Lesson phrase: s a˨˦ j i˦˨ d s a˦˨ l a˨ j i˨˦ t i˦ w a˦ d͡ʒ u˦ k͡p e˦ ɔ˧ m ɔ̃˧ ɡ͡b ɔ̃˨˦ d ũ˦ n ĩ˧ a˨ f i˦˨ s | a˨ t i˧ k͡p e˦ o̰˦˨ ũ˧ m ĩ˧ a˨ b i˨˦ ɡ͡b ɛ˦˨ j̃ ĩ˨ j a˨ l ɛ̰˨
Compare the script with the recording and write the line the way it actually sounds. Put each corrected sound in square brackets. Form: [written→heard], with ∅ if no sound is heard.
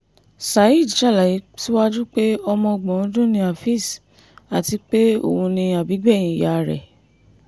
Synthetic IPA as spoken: s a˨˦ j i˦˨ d [s→ʃ] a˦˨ l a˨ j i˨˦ t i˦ w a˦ d͡ʒ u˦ k͡p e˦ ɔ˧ m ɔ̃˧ ɡ͡b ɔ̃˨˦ d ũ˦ n ĩ˧ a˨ f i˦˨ s | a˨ t i˧ k͡p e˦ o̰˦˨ ũ˧ [m→n] ĩ˧ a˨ b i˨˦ ɡ͡b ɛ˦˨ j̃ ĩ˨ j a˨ [l→ɾ] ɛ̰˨

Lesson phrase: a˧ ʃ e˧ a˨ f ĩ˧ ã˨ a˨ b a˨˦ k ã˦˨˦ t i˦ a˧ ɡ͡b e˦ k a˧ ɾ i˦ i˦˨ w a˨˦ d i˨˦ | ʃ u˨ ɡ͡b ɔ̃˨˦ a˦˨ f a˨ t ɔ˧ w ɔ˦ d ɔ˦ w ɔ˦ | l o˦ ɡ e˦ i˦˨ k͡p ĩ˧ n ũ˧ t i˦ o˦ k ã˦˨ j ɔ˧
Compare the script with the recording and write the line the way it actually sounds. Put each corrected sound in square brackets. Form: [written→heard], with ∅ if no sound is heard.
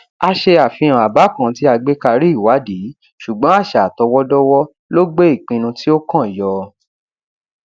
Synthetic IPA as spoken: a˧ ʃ e˧ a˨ f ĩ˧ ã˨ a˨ b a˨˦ k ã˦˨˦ t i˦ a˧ ɡ͡b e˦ k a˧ ɾ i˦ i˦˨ w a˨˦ d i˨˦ | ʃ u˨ ɡ͡b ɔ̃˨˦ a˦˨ [f→ʃ] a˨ t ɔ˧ w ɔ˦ d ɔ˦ w ɔ˦ | l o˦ [ɡ→ɡ͡b] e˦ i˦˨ k͡p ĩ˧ n ũ˧ t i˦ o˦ k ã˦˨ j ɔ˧

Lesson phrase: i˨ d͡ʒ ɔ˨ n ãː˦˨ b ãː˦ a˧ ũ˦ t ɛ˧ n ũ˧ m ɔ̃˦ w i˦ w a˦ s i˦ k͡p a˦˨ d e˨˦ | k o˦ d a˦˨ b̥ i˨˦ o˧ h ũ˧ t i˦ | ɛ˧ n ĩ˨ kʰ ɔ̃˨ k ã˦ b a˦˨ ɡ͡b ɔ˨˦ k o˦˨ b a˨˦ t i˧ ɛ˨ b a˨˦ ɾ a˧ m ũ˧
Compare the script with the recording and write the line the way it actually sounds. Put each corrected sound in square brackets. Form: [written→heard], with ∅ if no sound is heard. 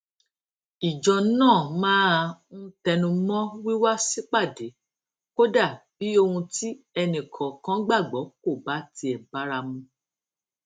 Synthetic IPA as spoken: i˨ d͡ʒ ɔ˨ n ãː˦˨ [b→m] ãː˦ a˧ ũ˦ t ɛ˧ n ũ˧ m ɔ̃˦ w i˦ w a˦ s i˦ k͡p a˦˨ d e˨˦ | k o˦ d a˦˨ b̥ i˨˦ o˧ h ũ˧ t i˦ | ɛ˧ n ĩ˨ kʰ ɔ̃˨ k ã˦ [b→ɡ͡b] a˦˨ ɡ͡b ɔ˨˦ k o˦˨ b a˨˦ t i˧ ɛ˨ b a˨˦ ɾ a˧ m ũ˧

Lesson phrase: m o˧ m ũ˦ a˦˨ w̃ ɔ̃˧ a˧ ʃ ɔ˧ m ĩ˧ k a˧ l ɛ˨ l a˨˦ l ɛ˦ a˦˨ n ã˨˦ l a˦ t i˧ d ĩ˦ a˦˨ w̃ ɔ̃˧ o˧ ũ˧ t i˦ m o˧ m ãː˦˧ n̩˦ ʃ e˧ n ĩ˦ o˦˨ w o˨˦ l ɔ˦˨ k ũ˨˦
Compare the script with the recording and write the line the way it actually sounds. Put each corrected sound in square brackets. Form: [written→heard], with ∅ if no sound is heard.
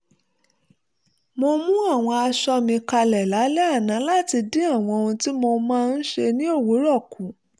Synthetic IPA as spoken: m o˧ m ũ˦ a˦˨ w̃ ɔ̃˧ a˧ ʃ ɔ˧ m ĩ˧ k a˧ l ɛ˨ l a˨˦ l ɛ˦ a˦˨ n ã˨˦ l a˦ t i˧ d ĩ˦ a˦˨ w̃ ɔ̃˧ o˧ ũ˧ t i˦ m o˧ m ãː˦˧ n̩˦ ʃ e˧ n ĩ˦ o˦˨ w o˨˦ [l→ɾ] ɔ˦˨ k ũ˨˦

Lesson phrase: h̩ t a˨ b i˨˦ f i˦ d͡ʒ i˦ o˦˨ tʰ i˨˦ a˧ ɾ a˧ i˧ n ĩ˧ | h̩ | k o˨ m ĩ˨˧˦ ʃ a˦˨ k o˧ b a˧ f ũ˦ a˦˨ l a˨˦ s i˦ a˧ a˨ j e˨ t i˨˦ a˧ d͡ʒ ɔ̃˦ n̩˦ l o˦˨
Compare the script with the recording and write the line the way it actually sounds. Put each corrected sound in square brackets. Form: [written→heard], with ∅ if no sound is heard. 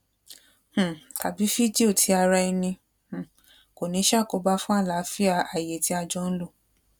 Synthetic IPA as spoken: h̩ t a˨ b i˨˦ f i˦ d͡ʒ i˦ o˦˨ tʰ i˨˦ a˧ ɾ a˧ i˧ n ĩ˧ | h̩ | k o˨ [m→n] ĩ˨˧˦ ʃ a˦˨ k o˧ b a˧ f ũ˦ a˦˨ l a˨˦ [s→f] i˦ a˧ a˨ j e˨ t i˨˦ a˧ d͡ʒ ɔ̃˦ n̩˦ l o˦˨

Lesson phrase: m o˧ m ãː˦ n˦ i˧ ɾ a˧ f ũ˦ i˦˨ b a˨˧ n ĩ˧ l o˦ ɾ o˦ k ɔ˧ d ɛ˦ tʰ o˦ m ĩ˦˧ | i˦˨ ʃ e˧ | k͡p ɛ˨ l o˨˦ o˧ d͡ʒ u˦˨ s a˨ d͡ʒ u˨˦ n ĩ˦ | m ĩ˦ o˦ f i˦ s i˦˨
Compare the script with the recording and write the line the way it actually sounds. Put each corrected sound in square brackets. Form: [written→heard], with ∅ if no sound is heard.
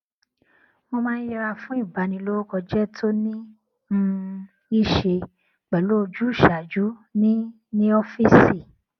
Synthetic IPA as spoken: m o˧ m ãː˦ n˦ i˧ ɾ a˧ f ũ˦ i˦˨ b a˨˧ n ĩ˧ l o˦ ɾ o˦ k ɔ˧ [d→d͡ʒ] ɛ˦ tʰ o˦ [m→n] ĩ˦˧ | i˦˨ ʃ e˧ | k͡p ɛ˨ l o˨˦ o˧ d͡ʒ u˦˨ [s→ʃ] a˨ d͡ʒ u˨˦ n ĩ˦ | [m→n] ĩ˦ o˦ f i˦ s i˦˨

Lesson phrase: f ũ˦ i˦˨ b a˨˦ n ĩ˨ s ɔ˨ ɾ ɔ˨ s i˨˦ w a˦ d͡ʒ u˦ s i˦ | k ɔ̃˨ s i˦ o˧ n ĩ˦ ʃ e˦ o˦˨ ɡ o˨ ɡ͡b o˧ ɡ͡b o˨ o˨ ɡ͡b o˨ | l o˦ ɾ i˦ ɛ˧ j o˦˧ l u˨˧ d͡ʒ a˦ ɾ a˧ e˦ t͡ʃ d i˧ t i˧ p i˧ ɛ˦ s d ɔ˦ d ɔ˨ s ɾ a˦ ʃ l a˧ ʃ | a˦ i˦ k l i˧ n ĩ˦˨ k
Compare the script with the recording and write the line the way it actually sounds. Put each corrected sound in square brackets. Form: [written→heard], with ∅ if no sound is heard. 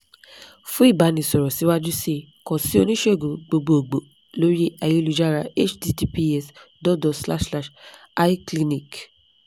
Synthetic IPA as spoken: f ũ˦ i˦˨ b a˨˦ n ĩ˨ s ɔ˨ ɾ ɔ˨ s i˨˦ w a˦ d͡ʒ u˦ s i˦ | k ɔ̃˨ s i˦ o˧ n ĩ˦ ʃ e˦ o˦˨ ɡ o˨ ɡ͡b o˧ ɡ͡b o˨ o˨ ɡ͡b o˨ | l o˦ ɾ i˦ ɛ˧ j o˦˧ l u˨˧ d͡ʒ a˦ ɾ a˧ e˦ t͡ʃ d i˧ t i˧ p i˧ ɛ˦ s d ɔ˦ d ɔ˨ s [ɾ→l] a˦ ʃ l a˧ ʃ | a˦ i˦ k l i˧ n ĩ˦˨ k

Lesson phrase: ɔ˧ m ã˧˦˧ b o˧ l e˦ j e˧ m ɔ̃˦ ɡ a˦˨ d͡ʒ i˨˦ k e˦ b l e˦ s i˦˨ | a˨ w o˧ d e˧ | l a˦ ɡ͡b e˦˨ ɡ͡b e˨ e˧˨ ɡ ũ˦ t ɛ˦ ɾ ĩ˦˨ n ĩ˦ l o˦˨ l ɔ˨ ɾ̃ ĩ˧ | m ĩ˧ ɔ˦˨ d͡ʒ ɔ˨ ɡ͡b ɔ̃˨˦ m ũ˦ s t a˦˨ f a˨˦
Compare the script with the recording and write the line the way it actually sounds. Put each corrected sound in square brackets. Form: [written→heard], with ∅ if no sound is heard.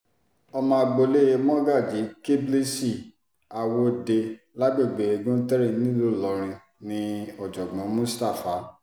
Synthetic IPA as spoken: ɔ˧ m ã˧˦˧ [b→ɡ͡b] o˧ l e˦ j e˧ m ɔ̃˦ ɡ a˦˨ d͡ʒ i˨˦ k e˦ b l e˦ s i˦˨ | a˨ w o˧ d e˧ | l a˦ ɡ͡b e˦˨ ɡ͡b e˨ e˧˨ ɡ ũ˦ t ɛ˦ ɾ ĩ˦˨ n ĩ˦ l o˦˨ l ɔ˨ ɾ̃ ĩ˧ | [m→n] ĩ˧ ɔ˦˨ d͡ʒ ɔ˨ ɡ͡b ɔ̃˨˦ m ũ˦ s t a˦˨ f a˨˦

